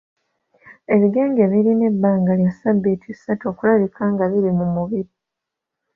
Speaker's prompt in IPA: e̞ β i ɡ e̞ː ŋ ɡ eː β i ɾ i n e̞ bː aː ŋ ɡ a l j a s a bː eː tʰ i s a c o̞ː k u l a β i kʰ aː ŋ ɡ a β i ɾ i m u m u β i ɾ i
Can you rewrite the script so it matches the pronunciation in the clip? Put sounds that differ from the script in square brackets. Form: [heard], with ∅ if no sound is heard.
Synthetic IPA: e̞ β i ɡ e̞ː ŋ ɡ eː β i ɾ i n e̞ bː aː ŋ ɡ a l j a s a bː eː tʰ i s a [t] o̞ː k u l a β i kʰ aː ŋ ɡ a β i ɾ i m u m u β i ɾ i

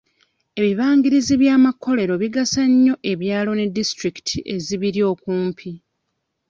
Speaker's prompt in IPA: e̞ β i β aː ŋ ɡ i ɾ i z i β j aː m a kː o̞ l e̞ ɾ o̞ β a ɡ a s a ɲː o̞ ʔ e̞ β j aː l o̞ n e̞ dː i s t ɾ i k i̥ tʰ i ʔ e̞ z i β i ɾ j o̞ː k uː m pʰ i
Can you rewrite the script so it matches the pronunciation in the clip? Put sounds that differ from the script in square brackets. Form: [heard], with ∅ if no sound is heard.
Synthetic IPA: e̞ β i β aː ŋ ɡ i ɾ i z i β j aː m a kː o̞ l e̞ ɾ o̞ β [i] ɡ a s a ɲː o̞ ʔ e̞ β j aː l o̞ n e̞ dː i s t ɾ i k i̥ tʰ i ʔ e̞ z i β i ɾ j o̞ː k uː m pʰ i

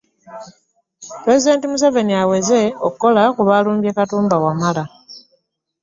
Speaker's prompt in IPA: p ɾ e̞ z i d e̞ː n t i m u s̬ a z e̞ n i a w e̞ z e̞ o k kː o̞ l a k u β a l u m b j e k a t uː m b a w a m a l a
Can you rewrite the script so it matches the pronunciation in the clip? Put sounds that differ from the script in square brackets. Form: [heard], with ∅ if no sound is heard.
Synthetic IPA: p ɾ e̞ z i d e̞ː n t i m u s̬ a [v] e̞ n i a w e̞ z e̞ o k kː o̞ l a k u β a l [uː] m b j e k a t uː m b a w a m a l a

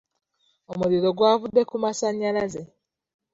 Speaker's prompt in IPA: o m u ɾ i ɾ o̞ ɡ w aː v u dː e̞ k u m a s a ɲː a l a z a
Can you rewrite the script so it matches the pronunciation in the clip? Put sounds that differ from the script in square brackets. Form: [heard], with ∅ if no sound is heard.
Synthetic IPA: o m u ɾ i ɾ o̞ ɡ w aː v u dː e̞ k u m a s a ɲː a l a z [e]

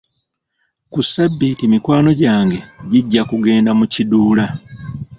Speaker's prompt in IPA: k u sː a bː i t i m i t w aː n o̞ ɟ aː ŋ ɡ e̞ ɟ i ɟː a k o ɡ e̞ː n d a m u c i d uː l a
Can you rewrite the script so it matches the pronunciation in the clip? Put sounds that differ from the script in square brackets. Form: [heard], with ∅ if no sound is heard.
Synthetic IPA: k u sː a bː i t i m i [k] w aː n o̞ ɟ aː ŋ ɡ e̞ ɟ i ɟː a k [u] ɡ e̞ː n d a m u c i d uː l a

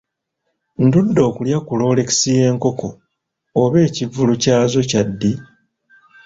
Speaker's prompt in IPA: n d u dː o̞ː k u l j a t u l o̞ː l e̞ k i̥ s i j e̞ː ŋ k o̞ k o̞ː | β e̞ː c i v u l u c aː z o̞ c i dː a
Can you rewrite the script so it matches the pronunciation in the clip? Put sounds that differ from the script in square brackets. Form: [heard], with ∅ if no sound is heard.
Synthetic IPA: n d u dː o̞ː k u l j a [k] u l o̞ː l e̞ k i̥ s i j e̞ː ŋ k o̞ k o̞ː | β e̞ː c i v u l u c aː z o̞ c [a] dː [i]

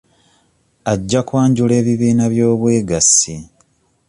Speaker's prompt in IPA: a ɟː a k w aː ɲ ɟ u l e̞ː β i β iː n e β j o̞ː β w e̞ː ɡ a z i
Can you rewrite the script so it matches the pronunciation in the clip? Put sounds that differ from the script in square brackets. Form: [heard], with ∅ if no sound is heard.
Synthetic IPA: a ɟː a k w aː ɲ ɟ u l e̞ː β i β iː n [a] β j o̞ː β w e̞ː ɡ a [s] i

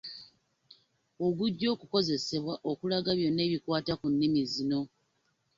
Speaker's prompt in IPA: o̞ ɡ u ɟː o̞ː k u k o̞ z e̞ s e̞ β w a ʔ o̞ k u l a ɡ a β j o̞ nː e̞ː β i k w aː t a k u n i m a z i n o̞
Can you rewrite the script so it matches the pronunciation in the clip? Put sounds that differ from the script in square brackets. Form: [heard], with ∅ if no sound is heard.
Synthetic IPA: o̞ ɡ u ɟː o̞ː k u k o̞ z e̞ s e̞ β w a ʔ o̞ k u l a ɡ a β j o̞ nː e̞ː β i k w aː t a k u [nː] i m [i] z i n o̞

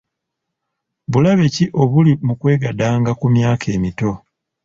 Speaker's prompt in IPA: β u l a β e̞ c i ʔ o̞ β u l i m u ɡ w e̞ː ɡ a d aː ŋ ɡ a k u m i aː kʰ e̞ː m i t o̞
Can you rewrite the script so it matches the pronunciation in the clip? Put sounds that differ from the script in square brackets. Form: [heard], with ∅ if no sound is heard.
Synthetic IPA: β u l a β e̞ c i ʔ o̞ β u l i m u [k] w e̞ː ɡ a d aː ŋ ɡ a k u m [j] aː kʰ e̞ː m i t o̞

